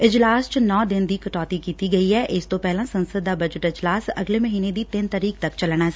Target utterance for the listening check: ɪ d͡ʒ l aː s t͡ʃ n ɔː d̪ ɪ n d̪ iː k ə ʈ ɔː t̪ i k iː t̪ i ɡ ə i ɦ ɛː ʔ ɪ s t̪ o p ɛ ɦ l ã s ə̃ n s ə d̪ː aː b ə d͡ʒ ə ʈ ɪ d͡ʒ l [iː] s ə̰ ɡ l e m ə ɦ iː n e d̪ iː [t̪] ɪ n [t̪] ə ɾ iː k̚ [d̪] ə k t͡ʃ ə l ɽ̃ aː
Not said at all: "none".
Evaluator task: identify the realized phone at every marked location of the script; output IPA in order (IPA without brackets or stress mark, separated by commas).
aː, t̪, t̪, t̪